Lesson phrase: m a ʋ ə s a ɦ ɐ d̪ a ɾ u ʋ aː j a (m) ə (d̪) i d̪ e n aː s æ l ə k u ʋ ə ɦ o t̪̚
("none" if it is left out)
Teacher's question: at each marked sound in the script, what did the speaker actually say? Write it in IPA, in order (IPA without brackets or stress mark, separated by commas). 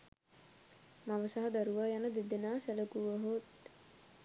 n, d̪